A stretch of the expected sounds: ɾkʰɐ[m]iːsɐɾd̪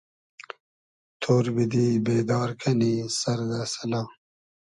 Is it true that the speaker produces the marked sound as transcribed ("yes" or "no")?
no